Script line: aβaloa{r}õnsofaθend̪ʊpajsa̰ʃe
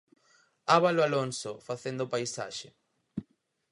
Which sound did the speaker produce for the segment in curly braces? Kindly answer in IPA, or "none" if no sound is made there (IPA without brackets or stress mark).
l